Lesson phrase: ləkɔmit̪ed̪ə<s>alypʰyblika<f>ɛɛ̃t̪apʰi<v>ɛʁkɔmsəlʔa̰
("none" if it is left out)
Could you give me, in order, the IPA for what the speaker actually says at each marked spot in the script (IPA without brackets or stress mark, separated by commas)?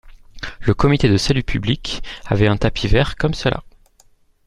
s, v, v